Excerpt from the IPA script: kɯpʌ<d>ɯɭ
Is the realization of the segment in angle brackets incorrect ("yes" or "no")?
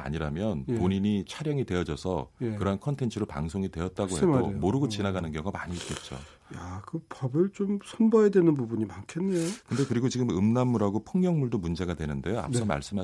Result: yes